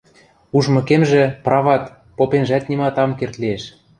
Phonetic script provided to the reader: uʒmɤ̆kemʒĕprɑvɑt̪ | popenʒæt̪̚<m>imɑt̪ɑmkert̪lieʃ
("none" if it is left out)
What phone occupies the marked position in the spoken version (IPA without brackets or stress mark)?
n